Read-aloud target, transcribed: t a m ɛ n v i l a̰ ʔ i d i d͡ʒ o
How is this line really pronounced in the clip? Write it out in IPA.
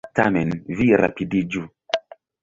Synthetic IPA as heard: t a m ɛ n v i ɾ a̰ p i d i d͡ʒ u